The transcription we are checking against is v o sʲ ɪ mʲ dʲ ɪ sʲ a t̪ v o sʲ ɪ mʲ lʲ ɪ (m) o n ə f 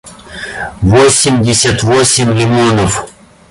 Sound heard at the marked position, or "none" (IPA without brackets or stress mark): m